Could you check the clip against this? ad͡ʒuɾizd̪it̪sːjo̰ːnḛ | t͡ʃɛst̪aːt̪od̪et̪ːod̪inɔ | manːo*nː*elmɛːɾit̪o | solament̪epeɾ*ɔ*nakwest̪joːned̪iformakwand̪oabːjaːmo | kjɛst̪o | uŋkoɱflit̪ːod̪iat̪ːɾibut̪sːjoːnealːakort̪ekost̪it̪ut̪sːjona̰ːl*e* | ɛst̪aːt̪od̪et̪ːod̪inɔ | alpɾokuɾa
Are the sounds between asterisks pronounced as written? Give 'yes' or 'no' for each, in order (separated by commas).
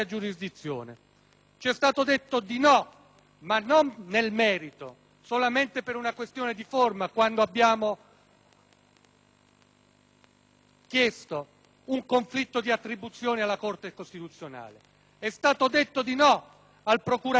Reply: yes, no, yes